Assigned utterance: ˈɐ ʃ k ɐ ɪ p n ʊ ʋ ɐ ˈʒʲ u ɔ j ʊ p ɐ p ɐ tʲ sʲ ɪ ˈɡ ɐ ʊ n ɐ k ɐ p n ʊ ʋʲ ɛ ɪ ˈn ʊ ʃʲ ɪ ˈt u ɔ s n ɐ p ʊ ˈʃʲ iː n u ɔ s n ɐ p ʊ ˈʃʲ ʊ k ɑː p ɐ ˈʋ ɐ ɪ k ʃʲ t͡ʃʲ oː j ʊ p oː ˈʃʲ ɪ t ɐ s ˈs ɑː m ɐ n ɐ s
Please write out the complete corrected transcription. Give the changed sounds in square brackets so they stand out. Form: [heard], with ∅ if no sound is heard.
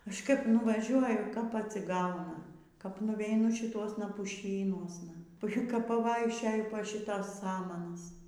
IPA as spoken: ˈɐ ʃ k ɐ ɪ p n ʊ ʋ ɐ ˈʒʲ u ɔ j ʊ [k] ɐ p ɐ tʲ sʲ ɪ ˈɡ ɐ ʊ n ɐ k ɐ p n ʊ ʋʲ ɛ ɪ ˈn ʊ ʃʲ ɪ ˈt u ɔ s n ɐ p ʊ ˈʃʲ iː n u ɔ s n ɐ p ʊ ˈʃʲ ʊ k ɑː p ɐ ˈʋ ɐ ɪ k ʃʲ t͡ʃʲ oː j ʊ p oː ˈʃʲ ɪ t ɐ s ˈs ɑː m ɐ n ɐ s